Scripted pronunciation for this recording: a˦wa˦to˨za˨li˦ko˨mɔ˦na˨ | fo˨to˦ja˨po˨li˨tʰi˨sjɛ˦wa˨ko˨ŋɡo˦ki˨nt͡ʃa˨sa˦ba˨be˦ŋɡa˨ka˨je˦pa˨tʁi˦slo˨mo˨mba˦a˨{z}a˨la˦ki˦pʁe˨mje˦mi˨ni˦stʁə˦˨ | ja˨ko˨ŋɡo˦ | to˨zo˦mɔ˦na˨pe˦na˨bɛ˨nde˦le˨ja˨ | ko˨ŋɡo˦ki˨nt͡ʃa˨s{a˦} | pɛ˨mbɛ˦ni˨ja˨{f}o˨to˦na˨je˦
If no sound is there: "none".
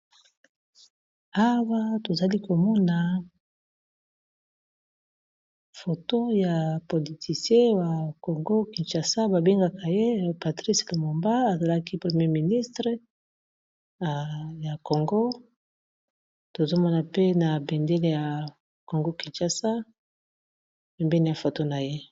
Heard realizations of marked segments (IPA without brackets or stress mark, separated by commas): z, a˦, f